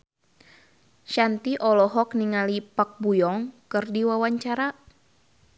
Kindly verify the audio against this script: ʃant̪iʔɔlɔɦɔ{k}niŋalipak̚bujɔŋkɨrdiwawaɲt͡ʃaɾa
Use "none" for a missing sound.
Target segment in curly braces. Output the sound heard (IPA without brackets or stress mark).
k